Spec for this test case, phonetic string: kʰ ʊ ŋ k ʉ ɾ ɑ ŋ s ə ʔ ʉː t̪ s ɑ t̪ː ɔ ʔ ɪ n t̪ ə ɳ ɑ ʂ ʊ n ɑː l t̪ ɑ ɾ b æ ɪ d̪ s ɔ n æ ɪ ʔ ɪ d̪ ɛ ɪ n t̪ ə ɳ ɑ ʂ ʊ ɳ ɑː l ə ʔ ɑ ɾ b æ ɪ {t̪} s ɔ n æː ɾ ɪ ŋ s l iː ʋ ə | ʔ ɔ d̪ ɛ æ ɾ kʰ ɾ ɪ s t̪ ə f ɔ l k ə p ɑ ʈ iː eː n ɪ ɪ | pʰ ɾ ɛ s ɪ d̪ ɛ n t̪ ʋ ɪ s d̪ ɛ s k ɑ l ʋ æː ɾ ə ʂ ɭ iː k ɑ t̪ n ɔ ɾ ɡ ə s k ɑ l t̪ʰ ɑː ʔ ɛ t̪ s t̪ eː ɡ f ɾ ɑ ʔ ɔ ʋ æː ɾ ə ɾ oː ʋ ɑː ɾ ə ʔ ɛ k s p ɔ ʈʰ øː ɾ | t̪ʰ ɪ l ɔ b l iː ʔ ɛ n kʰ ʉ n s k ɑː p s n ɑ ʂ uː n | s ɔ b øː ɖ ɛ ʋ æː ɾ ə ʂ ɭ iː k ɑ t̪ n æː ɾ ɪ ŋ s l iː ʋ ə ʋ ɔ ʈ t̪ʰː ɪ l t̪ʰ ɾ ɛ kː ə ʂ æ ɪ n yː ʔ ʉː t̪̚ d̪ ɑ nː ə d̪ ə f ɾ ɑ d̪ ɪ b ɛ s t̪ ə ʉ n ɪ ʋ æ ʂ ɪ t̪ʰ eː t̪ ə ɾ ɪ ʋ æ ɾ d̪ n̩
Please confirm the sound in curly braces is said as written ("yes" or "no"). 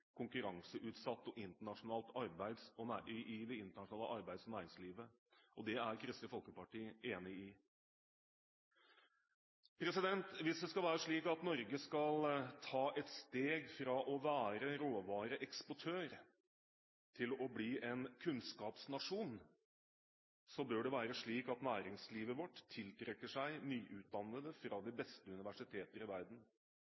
no